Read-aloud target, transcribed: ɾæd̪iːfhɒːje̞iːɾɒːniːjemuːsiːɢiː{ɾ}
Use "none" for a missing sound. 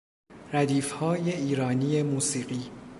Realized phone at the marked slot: none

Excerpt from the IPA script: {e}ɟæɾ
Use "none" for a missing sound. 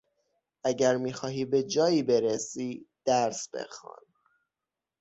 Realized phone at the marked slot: æ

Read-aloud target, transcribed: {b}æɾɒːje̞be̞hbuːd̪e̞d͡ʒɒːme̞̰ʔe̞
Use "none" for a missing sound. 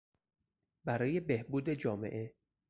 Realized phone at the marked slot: b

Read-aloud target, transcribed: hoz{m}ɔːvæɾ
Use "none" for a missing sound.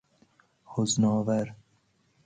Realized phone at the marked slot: n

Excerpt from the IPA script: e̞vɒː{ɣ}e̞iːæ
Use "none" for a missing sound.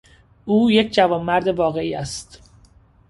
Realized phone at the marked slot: ɣ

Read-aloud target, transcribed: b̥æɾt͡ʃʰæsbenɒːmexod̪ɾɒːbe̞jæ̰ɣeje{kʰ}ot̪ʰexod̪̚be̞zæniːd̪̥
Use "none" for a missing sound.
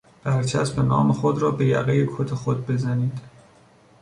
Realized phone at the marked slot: kʰ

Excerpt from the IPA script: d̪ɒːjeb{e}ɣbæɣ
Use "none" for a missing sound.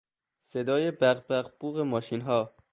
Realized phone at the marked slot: æ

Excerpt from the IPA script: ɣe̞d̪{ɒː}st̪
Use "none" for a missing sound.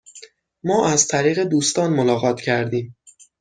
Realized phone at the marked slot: uː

